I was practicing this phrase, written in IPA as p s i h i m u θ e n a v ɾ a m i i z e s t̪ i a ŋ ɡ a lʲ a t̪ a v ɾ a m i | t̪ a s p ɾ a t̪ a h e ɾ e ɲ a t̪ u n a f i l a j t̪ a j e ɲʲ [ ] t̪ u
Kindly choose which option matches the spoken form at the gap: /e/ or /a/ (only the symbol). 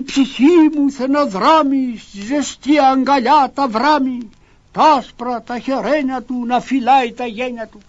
a